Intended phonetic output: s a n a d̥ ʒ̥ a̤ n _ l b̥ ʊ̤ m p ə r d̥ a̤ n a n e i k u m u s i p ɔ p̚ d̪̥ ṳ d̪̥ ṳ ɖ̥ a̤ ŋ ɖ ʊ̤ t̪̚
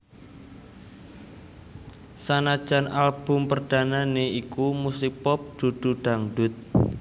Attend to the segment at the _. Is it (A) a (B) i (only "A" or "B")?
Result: A